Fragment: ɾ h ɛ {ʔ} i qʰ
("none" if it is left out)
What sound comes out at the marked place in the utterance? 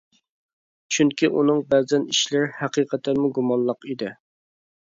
q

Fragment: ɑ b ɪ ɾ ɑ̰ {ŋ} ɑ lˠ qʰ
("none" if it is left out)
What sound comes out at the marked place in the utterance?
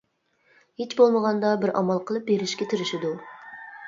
m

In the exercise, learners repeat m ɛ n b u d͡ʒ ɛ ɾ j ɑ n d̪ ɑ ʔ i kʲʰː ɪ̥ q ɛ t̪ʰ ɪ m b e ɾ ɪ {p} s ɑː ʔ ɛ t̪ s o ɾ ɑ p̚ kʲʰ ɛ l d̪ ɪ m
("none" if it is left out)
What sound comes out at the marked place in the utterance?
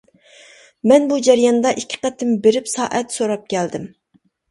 p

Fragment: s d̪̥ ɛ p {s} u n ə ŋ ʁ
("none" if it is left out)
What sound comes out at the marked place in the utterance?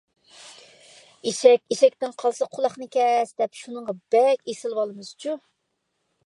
ʃ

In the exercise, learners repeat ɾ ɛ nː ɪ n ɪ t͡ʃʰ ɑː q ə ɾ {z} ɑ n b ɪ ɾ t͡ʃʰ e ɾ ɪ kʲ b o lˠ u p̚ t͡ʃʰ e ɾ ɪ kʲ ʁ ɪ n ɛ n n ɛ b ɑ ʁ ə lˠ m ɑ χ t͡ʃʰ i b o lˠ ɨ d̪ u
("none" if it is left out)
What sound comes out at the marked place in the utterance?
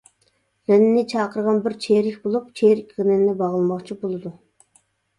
ʁ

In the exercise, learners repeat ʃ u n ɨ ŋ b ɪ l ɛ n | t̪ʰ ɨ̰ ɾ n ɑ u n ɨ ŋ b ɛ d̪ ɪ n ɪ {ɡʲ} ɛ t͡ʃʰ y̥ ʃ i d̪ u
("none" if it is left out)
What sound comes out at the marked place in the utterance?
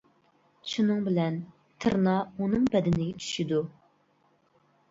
ɡʲ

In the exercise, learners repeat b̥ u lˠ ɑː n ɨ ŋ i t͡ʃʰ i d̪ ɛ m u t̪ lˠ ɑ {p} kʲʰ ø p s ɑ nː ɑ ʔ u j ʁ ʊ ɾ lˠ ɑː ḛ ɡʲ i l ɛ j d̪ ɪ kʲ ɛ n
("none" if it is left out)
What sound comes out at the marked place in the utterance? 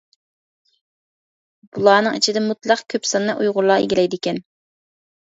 q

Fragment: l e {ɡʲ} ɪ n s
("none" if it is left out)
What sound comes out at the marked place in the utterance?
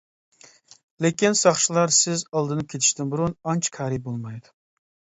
kʲ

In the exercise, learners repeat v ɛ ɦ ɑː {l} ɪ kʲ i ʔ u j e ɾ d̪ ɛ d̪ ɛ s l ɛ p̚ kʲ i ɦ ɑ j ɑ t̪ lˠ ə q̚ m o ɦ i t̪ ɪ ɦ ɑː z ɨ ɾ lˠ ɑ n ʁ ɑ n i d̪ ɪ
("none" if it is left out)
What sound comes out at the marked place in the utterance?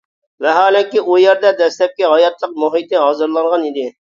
l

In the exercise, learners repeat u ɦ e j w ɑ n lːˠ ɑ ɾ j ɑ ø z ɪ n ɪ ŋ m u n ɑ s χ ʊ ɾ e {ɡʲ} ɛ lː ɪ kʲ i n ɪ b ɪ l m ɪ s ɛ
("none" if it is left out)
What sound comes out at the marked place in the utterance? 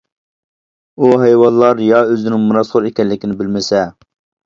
kʲ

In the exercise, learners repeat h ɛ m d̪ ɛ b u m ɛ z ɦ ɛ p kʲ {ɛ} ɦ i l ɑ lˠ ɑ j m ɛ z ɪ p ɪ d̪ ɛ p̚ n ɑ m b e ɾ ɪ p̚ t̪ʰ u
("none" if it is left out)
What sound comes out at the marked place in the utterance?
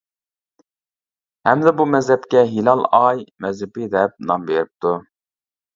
ɛ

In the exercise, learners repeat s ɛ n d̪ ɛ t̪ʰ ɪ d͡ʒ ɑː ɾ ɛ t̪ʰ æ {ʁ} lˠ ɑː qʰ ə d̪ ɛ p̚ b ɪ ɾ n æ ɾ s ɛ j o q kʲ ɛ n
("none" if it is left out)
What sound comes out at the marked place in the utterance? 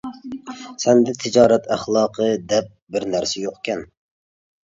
χ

